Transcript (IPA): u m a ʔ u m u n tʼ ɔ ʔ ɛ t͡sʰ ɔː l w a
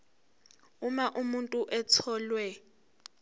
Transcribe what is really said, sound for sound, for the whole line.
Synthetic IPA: u m a ʔ u m u n tʼ u ʔ ɛ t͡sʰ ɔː l w ɛ